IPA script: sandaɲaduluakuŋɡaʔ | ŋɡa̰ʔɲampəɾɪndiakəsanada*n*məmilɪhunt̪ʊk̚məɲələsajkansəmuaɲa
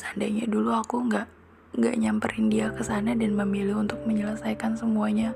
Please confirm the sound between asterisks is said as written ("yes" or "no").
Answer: yes